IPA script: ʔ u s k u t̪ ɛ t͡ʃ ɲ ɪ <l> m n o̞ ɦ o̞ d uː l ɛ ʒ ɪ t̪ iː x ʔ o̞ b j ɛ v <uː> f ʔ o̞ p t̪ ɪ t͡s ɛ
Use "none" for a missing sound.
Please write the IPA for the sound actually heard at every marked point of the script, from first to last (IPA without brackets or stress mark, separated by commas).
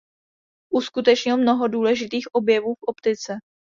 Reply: l, uː